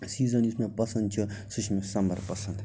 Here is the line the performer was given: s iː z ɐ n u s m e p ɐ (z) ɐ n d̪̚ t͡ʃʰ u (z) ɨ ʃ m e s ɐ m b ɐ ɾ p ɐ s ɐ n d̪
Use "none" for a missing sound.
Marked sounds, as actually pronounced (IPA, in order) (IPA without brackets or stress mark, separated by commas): s, s